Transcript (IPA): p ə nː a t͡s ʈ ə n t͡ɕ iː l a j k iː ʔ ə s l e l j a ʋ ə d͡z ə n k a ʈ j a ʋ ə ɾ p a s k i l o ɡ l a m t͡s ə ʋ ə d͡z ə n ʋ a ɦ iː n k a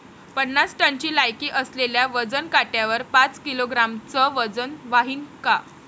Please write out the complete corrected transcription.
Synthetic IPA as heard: p ə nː a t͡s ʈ ə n t͡ɕ iː l a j k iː ʔ ə s l e l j a ʋ ə d͡z ə n k a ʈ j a ʋ ə ɾ p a t͡s k i l o ɡ ɾ a m t͡s ə ʋ ə d͡z ə n ʋ a ɦ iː n k a